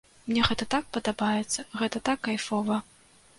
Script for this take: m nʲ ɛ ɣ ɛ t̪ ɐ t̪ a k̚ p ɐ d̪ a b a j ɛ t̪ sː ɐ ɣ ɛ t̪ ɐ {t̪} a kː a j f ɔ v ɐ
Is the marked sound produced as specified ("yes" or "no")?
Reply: yes